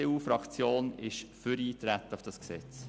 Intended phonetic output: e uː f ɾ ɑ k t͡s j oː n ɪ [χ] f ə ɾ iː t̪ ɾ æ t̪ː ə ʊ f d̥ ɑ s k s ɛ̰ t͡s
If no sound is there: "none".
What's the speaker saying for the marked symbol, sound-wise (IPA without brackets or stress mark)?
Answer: ʃ